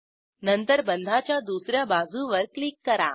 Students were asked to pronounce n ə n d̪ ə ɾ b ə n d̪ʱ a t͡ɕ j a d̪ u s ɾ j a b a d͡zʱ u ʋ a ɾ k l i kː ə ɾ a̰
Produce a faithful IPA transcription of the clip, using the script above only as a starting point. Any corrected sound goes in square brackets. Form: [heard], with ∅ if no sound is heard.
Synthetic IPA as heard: n ə n [t̪] ə ɾ b ə n d̪ʱ a t͡ɕ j a d̪ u s ɾ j a b a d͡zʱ u ʋ [ə] ɾ k l i kː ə ɾ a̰